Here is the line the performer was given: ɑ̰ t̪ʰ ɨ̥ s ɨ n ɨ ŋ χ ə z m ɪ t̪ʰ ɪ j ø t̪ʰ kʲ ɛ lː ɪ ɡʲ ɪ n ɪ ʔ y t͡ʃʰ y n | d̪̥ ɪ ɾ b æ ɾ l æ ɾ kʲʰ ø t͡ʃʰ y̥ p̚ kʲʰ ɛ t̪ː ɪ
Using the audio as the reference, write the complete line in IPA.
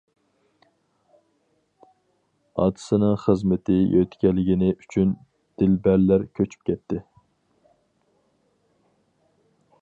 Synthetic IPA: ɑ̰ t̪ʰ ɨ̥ s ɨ n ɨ ŋ χ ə z m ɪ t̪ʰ ɪ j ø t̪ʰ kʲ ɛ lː ɪ ɡʲ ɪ n ɪ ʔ y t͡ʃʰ y n | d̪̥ ɪ l b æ ɾ l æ ɾ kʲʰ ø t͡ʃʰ y̥ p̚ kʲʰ ɛ t̪ː ɪ